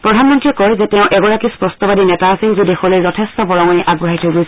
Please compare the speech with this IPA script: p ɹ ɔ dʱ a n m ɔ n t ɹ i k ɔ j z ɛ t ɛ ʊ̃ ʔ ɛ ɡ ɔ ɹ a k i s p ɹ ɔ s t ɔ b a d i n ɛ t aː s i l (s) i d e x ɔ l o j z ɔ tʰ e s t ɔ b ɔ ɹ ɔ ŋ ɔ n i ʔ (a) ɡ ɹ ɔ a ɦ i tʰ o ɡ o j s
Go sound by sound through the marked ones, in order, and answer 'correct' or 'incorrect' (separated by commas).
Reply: incorrect, correct